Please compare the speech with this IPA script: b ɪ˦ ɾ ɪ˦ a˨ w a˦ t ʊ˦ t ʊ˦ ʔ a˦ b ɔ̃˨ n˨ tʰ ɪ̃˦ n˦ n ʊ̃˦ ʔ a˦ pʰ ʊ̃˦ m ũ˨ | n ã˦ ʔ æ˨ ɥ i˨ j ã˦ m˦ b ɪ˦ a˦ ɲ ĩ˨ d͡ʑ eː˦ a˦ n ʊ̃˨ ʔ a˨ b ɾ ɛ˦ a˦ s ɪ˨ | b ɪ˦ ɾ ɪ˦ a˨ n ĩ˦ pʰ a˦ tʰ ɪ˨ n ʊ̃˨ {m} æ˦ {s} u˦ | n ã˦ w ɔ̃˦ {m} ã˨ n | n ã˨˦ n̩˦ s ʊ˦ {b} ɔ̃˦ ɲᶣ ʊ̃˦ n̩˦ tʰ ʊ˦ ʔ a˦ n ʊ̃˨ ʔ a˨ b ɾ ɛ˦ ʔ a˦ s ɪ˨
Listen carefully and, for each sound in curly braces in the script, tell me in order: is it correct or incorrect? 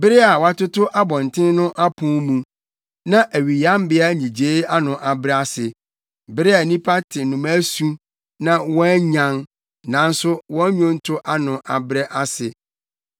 correct, correct, incorrect: ɲ, incorrect: w

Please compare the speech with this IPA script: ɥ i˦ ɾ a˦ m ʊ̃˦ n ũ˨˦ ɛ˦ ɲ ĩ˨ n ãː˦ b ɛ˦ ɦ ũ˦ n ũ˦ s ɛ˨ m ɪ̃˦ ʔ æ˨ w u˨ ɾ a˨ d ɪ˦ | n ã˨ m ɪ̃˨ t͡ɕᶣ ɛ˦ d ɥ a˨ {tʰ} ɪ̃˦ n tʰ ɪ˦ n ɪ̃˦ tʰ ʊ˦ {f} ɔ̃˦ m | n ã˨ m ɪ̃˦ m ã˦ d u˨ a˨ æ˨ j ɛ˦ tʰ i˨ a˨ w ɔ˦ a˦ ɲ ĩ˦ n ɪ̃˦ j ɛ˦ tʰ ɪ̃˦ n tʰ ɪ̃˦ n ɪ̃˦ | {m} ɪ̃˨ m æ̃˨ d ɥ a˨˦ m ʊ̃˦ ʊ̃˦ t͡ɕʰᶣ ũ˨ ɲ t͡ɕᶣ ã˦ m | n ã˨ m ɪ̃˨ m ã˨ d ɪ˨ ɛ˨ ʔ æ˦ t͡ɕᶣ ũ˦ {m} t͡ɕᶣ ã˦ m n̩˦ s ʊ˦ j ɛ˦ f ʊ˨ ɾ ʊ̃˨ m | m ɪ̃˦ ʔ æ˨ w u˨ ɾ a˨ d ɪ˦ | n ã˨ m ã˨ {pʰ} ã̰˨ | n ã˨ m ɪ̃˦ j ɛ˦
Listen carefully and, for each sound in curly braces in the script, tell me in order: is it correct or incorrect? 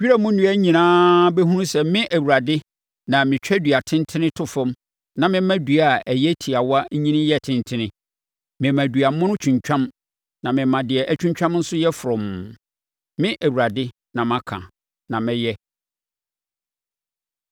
correct, correct, correct, incorrect: ɲ, incorrect: kʰ

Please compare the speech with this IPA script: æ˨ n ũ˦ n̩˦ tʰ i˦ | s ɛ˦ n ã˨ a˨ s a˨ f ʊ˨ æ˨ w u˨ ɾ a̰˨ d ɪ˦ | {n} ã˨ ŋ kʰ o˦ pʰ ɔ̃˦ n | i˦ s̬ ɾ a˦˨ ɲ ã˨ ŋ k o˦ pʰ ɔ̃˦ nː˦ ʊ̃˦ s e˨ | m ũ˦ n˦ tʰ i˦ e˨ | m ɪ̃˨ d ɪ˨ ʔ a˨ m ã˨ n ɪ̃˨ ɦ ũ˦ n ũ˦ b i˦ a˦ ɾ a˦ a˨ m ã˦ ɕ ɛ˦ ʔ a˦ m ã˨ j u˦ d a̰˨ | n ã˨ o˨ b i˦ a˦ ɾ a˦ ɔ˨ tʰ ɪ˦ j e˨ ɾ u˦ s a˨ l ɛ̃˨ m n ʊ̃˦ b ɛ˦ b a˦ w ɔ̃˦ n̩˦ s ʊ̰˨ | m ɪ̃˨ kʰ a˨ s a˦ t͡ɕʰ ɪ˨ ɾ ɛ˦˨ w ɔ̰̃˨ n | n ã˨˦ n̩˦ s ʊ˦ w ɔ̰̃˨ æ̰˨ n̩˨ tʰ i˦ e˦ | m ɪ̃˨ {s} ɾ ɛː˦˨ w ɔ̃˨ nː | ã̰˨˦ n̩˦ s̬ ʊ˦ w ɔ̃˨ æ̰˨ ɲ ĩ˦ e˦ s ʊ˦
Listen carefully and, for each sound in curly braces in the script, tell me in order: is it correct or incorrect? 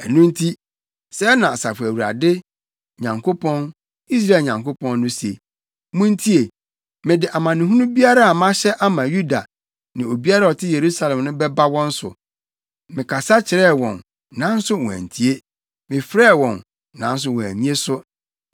incorrect: ɲ, incorrect: f

